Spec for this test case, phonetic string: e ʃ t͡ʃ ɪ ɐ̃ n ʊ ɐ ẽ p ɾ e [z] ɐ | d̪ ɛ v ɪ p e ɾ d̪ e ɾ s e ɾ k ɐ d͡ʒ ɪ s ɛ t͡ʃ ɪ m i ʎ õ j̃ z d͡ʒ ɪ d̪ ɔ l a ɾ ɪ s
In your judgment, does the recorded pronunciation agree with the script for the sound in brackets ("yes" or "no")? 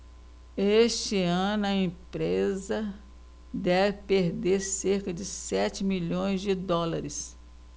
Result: yes